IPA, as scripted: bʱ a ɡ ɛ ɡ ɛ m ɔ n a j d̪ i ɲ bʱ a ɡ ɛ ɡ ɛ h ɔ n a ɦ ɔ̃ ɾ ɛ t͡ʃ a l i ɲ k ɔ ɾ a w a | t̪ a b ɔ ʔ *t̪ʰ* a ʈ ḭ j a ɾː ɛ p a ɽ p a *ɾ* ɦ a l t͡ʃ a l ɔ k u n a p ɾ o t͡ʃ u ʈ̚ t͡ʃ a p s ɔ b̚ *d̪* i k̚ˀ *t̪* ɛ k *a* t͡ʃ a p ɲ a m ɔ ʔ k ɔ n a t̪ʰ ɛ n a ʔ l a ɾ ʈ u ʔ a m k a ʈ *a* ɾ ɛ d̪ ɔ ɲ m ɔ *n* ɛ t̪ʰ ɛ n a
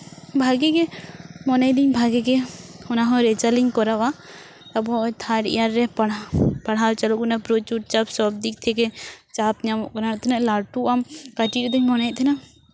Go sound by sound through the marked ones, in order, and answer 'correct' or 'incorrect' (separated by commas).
correct, incorrect, correct, incorrect, incorrect, incorrect, correct